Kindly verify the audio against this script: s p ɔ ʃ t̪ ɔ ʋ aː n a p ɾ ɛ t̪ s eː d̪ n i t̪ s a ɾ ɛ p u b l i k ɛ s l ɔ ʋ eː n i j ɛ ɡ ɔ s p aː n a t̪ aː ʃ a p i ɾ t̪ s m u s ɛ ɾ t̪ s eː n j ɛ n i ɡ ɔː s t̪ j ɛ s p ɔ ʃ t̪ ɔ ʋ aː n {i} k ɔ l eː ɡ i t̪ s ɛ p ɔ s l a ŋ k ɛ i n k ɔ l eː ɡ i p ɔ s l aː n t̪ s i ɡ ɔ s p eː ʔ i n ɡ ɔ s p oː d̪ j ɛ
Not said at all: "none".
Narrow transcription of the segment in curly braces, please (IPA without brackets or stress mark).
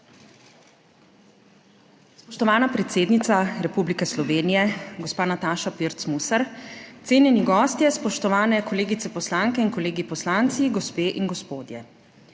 ɛ